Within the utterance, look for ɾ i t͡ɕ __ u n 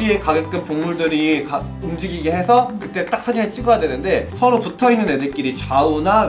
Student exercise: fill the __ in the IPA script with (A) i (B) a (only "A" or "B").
B